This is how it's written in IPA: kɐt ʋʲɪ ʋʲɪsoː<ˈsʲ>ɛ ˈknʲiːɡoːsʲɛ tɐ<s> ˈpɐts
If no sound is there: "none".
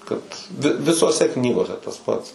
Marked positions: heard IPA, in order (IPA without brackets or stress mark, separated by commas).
sʲ, s